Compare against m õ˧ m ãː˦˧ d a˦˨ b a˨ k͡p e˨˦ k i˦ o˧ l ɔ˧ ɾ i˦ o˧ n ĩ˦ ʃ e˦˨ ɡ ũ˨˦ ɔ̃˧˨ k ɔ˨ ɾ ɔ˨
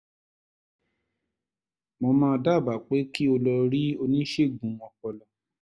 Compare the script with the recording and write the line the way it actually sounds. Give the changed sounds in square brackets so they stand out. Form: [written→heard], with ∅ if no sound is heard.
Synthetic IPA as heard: m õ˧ m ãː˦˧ d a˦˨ b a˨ k͡p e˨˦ k i˦ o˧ l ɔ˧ ɾ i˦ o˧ n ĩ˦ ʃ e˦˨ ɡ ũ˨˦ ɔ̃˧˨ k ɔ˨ [ɾ→l] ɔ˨